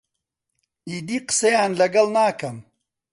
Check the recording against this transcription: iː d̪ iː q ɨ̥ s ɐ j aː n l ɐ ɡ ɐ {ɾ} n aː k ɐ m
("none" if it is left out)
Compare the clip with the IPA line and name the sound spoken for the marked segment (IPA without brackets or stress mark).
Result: l